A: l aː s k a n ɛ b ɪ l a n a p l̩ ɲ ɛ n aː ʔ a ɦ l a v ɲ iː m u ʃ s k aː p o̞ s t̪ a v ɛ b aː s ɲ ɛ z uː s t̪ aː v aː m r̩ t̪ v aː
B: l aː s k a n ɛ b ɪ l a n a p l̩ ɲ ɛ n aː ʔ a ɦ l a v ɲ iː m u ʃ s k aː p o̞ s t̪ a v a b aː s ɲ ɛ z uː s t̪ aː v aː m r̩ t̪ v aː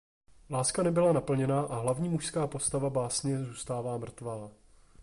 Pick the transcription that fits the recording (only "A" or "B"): B